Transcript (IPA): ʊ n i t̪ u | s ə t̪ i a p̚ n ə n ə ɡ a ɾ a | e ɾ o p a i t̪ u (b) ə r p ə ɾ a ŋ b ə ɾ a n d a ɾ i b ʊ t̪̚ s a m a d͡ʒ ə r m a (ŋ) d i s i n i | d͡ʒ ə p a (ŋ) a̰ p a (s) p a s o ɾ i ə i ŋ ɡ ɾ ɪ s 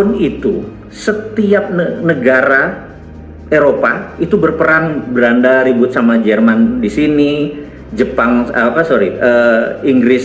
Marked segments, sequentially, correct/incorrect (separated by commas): correct, incorrect, correct, incorrect